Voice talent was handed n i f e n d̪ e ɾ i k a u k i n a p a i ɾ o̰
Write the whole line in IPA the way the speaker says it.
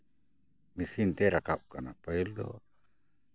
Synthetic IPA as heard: m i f i n t̪ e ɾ a k a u k a n a p a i l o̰